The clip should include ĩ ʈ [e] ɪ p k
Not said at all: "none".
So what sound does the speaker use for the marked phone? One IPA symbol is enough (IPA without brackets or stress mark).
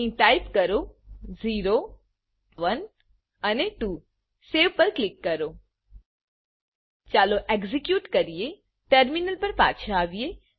a